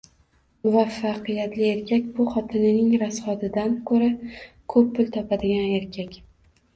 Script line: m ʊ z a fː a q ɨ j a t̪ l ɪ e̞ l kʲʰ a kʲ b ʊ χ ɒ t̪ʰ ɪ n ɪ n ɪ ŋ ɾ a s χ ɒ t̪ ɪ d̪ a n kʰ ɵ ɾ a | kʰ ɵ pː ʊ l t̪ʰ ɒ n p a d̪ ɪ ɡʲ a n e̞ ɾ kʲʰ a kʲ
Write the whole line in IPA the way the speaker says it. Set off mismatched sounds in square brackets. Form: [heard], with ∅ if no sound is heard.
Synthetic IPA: m ʊ [v] a fː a q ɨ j a t̪ l ɪ e̞ [ɾ] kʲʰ a kʲ b ʊ χ ɒ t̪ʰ ɪ n ɪ n ɪ ŋ ɾ a s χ ɒ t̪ ɪ d̪ a n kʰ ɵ ɾ a | kʰ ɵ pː ʊ l t̪ʰ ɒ [∅] p a d̪ ɪ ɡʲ a n e̞ ɾ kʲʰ a kʲ